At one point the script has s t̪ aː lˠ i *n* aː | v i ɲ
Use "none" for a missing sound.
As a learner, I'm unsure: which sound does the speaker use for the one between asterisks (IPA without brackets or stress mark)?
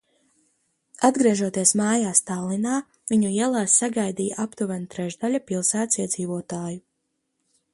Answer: n